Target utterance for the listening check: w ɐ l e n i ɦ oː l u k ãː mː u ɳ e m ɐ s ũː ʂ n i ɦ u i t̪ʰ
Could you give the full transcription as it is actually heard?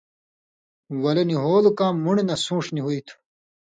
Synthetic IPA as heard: w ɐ l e n i ɦ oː l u k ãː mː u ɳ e n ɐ s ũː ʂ n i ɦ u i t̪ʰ